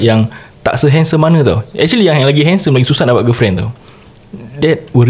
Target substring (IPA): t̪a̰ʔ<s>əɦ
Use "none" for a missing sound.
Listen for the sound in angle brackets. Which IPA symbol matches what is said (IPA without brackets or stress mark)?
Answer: s